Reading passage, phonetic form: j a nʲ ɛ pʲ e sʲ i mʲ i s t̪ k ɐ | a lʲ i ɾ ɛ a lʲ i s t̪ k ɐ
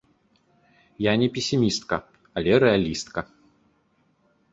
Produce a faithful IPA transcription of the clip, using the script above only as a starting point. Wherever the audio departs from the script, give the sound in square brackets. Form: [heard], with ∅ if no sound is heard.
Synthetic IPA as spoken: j a nʲ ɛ pʲ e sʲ i mʲ i s t̪ k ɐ | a lʲ [ɛ] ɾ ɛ a lʲ i s t̪ k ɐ